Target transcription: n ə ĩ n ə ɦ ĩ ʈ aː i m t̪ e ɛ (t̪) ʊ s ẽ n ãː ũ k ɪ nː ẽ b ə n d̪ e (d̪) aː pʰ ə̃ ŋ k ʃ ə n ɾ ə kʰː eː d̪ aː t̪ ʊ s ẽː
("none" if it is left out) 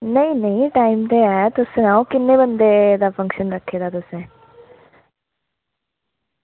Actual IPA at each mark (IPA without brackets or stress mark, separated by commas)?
t̪, d̪